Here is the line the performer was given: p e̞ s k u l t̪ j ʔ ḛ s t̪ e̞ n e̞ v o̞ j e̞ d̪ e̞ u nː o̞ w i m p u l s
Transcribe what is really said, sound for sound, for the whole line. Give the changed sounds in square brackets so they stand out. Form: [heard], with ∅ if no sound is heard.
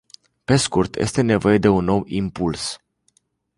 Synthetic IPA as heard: p e̞ s k u [r] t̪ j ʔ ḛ s t̪ e̞ n e̞ v o̞ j e̞ d̪ e̞ u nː o̞ w i m p u l s